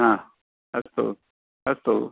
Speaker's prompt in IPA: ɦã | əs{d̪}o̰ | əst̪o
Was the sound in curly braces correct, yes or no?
no